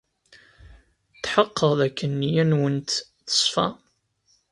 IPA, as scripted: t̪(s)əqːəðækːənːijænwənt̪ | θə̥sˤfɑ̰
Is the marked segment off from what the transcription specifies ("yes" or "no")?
yes